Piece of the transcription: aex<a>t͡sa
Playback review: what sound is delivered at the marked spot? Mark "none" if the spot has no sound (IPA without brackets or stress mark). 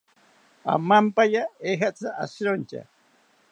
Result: a